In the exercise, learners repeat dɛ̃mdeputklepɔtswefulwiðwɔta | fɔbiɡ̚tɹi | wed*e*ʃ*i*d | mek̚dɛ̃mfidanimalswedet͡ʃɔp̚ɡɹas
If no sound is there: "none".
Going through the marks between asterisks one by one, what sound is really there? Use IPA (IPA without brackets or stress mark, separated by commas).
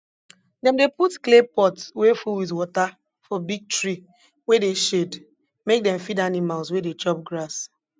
e, e